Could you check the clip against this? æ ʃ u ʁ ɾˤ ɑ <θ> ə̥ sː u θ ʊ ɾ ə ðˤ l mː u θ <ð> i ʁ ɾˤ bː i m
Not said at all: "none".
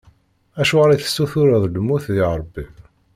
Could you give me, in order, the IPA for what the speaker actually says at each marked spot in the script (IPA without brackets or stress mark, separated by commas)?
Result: θ, ð